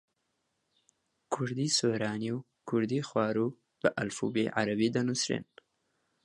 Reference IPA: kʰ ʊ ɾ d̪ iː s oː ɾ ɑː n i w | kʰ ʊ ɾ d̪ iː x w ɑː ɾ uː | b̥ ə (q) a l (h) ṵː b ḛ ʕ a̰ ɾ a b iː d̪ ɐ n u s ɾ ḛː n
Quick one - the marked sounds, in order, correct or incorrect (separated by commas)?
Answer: incorrect, incorrect